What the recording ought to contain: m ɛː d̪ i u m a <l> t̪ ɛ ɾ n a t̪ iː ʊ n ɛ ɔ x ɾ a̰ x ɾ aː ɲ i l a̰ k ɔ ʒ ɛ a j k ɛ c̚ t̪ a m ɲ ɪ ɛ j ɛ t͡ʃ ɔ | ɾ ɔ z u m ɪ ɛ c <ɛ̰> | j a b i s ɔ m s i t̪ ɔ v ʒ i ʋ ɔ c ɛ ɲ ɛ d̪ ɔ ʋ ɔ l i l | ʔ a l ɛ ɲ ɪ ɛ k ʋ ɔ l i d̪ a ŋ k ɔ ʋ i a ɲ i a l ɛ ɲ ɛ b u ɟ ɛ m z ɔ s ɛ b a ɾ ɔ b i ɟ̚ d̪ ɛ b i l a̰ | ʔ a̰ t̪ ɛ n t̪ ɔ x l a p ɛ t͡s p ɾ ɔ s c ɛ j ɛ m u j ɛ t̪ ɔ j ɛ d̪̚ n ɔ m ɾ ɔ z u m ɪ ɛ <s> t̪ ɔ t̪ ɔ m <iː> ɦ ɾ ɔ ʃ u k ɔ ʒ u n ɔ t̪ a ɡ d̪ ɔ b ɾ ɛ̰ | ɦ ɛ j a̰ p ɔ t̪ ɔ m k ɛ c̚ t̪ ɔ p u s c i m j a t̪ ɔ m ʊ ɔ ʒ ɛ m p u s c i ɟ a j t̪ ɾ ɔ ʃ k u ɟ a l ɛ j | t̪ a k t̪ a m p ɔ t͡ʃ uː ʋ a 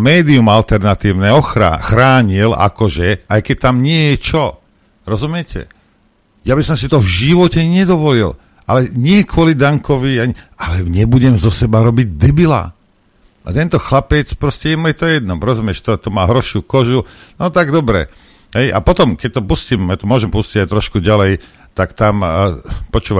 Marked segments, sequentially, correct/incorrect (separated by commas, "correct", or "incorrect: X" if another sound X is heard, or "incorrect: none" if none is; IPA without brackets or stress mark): correct, correct, incorrect: ʃ, incorrect: aː